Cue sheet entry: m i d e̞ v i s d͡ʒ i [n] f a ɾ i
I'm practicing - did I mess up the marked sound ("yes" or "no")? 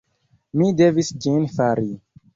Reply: no